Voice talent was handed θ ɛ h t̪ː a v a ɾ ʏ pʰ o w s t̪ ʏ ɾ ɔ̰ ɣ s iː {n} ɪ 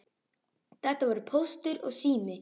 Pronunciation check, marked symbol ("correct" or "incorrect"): incorrect